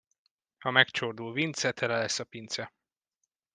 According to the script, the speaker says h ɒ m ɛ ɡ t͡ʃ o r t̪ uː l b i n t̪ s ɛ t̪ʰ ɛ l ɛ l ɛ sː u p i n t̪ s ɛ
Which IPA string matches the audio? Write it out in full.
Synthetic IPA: h ɒ m ɛ k t͡ʃ o r d̪ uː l v i n t̪ s ɛ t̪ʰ ɛ l ɛ l ɛ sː ɒ p i n t̪ s ɛ